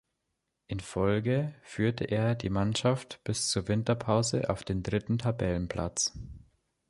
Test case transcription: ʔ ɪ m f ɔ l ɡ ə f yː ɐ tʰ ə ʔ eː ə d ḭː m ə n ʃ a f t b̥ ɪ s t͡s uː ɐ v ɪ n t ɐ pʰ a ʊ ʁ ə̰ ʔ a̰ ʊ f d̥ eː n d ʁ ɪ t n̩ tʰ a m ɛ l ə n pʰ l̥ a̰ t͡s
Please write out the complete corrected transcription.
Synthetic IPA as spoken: ʔ ɪ n f ɔ l ɡ ə f yː ɐ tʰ ə ʔ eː ɐ d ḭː m a n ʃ a f t b̥ ɪ s t͡s uː ɐ v ɪ n t ɐ pʰ a ʊ z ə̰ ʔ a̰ ʊ f d̥ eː n d ʁ ɪ t n̩ tʰ a b ɛ l ə n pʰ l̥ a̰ t͡s